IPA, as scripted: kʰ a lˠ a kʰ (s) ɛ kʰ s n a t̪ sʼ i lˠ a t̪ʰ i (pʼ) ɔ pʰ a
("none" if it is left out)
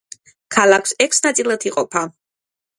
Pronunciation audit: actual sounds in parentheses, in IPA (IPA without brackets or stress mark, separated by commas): s, qʼ